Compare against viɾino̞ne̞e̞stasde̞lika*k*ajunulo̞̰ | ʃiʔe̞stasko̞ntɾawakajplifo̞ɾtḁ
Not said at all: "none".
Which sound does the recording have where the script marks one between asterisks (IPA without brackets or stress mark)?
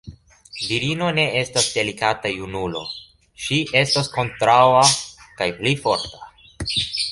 t